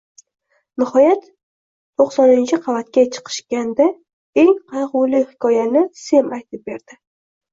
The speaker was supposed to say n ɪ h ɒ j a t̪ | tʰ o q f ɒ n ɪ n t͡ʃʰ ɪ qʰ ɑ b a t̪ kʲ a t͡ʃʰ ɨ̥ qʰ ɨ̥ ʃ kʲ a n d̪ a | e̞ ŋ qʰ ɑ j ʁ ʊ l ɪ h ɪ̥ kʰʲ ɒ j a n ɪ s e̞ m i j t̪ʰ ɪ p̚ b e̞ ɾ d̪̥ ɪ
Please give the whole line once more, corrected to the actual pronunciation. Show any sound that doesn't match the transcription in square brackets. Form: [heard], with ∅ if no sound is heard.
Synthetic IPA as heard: n ɪ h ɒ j a t̪ | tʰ o q [s] ɒ n ɪ n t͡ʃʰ ɪ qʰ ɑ [v] a t̪ kʲ a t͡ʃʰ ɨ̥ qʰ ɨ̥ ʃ kʲ a n d̪ a | e̞ ŋ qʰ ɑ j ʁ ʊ l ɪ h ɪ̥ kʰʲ ɒ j a n ɪ s e̞ m [a] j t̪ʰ ɪ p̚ b e̞ ɾ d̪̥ ɪ